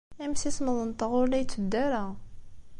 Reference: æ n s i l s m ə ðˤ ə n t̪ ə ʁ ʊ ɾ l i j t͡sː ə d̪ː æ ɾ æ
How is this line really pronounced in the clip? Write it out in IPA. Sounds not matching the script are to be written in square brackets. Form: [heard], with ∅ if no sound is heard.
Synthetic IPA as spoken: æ [m] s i [∅] s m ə ðˤ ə n t̪ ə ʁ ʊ ɾ l [æ] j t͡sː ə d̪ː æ ɾ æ